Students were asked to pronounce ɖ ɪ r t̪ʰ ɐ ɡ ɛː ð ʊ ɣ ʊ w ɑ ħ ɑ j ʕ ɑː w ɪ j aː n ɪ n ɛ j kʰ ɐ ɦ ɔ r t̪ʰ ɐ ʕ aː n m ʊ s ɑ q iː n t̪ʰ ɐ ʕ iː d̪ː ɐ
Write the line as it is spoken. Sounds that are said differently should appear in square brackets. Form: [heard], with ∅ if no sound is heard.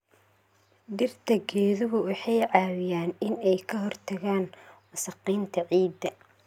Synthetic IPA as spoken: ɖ ɪ r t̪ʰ ɐ ɡ ɛː ð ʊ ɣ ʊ w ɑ ħ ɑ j ʕ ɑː w ɪ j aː n ɪ n ɛ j kʰ ɐ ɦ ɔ r t̪ʰ ɐ [ɣ] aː n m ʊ s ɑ q iː n t̪ʰ ɐ ʕ iː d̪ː ɐ